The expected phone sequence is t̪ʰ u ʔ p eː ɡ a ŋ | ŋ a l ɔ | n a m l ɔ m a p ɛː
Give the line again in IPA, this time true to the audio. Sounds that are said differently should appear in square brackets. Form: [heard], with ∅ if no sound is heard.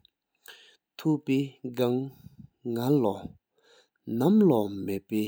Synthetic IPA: t̪ʰ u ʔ p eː ɡ a ŋ | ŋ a l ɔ | n a m l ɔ m [e] p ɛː